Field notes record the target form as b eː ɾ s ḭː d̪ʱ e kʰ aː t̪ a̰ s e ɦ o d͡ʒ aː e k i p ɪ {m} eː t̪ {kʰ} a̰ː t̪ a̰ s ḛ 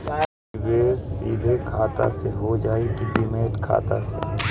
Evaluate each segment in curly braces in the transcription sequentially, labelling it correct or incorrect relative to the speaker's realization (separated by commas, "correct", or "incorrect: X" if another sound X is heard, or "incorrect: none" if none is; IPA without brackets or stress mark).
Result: correct, correct